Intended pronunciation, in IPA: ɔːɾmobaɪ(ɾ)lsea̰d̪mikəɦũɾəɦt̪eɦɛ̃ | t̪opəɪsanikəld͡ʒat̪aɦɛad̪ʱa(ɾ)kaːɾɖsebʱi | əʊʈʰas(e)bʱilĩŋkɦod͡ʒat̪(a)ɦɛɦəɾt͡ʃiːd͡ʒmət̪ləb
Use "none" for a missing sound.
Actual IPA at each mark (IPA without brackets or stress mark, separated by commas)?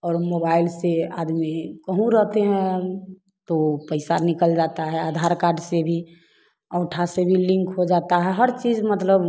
none, ɾ, e, a